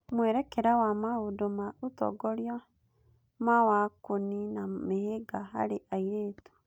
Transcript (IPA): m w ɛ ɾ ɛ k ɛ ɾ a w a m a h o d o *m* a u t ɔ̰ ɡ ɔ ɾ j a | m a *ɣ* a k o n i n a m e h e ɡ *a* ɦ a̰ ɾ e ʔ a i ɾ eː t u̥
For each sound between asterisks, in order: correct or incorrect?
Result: correct, incorrect, correct

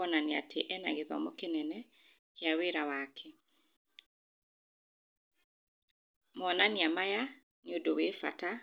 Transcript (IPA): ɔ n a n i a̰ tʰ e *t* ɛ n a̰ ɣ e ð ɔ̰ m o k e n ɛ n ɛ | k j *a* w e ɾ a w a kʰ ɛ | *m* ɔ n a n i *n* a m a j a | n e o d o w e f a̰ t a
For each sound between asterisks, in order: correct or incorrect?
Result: incorrect, correct, correct, incorrect

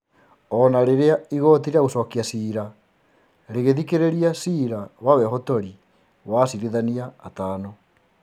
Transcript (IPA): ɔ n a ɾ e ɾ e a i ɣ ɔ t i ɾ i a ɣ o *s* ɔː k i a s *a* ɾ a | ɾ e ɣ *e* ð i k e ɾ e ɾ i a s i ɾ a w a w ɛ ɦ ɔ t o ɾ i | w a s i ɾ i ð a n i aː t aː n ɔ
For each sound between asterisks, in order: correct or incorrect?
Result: correct, incorrect, correct

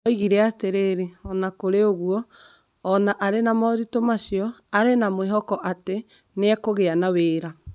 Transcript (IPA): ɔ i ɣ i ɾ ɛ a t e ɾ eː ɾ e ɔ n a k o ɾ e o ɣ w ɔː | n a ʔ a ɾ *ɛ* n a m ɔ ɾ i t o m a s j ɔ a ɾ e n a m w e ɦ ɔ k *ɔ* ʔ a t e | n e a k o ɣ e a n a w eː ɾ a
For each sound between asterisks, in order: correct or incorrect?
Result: incorrect, correct

